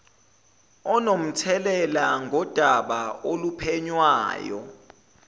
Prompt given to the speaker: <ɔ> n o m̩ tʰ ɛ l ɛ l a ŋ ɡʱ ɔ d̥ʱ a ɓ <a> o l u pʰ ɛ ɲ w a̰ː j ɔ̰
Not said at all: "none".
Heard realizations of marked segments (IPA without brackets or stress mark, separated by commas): ɔ, a